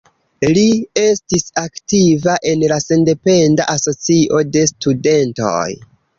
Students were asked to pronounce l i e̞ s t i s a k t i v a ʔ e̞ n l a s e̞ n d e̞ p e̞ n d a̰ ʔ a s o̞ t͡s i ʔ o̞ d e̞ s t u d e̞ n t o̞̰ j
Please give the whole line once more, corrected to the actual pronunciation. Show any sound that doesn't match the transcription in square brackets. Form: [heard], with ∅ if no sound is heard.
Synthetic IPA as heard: l i e̞ s t i s a k t i v a ʔ e̞ n l a s e̞ n d e̞ p e̞ n d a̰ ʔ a s o̞ t͡s i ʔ o̞ d e̞ s t u d e̞ n t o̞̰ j